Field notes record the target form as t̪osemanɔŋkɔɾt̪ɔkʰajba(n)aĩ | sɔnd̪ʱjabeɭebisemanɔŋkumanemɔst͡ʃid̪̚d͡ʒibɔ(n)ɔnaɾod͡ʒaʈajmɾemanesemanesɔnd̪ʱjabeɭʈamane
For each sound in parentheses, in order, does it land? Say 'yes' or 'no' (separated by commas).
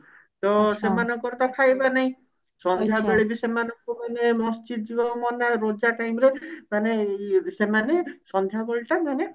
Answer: yes, no